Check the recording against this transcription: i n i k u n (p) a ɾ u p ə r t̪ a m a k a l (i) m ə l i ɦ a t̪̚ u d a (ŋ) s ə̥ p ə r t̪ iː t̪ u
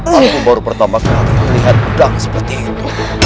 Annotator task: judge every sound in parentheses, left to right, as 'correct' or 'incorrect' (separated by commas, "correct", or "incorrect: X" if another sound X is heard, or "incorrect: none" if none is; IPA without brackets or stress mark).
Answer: incorrect: b, correct, correct